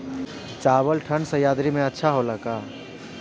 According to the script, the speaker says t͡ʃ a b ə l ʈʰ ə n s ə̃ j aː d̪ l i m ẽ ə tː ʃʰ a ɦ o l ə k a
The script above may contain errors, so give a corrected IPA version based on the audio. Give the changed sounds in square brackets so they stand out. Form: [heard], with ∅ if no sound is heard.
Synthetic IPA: t͡ʃ a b ə l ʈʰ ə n s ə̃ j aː d̪ [ɾ] i m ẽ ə tː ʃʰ a ɦ o l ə k a

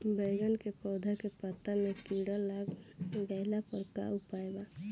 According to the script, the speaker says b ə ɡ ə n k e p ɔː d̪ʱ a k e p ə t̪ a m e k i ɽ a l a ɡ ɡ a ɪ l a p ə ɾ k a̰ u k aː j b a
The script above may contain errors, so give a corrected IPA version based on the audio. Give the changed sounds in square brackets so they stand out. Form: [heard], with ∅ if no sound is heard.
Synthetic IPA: b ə ɡ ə n k e p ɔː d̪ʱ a k e p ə t̪ a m e k i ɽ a l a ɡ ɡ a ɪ l a p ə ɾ k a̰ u [p] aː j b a

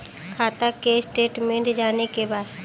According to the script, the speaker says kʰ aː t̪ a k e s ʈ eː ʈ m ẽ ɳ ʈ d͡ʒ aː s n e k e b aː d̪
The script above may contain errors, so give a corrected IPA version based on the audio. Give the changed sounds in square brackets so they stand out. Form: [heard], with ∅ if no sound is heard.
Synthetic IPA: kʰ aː t̪ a k e s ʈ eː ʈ m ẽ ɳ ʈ d͡ʒ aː [∅] n e k e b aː d̪

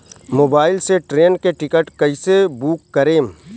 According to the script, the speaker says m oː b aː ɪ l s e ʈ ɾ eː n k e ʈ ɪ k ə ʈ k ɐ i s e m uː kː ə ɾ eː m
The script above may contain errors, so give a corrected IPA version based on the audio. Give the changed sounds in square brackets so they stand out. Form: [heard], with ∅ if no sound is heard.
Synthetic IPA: m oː b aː ɪ l s e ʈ ɾ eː n k e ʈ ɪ k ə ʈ k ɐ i s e [b] uː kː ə ɾ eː m

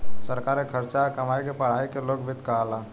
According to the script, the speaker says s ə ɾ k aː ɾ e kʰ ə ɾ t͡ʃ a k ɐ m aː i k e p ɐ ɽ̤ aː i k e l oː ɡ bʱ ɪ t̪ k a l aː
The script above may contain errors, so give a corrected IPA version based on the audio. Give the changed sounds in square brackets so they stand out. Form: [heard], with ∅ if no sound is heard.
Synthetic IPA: s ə ɾ k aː ɾ e kʰ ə ɾ t͡ʃ a k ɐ m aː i k e p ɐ ɽ̤ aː i k e l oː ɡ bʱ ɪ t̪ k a l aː

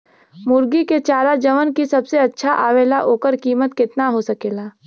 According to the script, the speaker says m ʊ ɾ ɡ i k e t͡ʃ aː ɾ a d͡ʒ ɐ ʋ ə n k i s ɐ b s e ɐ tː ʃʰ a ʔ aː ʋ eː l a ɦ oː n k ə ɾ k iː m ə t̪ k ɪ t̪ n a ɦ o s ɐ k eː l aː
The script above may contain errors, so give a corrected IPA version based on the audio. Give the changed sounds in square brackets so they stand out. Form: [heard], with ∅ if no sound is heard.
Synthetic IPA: m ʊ ɾ ɡ i k e t͡ʃ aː ɾ a d͡ʒ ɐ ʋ ə n k i s ɐ b s e ɐ tː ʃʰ a ʔ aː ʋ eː l a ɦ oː [∅] k ə ɾ k iː m ə t̪ k ɪ t̪ n a ɦ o s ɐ k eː l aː

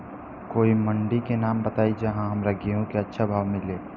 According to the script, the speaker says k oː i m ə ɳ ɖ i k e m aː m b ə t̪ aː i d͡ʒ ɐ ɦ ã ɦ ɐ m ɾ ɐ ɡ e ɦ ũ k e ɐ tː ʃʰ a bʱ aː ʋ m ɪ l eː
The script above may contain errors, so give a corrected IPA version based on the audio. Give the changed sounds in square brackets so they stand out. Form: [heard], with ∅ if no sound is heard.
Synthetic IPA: k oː i m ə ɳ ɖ i k e [n] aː m b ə t̪ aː i d͡ʒ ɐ ɦ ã ɦ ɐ m ɾ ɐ ɡ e ɦ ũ k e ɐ tː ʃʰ a bʱ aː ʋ m ɪ l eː

